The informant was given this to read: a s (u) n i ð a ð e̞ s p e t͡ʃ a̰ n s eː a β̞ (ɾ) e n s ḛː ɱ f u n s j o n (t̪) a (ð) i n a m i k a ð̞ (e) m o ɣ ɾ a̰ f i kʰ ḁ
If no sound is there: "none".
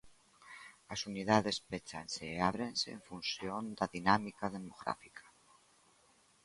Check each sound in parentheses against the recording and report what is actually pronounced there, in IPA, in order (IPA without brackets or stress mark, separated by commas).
u, ɾ, d̪, ð, e